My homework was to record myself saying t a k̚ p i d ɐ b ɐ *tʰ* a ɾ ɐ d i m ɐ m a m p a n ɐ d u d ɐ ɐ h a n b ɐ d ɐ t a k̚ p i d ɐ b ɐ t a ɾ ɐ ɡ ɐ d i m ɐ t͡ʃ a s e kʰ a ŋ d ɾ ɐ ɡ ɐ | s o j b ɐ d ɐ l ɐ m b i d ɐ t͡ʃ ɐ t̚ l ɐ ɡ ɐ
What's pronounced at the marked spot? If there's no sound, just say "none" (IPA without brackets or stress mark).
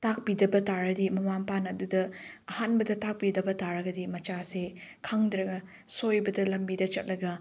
t